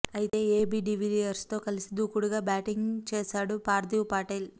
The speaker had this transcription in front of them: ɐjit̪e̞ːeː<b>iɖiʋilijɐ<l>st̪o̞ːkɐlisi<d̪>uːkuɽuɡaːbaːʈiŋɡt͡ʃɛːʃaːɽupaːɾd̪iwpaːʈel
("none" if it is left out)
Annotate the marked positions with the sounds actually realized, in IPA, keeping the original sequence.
b, ɾ, d̪

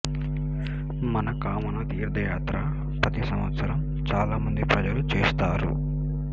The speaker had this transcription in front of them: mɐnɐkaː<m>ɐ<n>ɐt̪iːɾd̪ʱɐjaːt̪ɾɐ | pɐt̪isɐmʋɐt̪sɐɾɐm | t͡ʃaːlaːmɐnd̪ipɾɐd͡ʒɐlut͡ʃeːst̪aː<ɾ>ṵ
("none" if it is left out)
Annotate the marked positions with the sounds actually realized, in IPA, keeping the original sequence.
m, n, ɾ

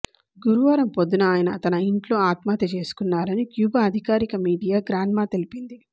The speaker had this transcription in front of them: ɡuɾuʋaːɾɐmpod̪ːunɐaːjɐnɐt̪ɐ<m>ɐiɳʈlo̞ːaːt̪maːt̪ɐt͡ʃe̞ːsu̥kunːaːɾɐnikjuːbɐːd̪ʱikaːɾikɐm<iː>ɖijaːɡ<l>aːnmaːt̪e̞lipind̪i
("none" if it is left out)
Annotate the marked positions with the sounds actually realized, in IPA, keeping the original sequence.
n, iː, ɾ

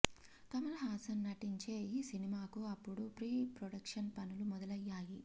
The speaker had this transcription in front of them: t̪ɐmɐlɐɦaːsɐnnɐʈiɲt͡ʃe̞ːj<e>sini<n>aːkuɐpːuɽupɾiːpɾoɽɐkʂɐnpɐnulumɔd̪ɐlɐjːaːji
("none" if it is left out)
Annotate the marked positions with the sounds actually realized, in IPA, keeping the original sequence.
i, m

